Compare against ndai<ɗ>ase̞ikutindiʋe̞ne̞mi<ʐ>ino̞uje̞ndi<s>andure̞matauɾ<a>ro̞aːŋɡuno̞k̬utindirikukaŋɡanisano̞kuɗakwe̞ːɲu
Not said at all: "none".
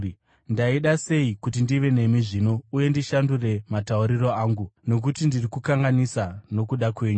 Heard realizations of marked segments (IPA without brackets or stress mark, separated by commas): ɗ, ʐ, ʃ, i